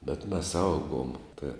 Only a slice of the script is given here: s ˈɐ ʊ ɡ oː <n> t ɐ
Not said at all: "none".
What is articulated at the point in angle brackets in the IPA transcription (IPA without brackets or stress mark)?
m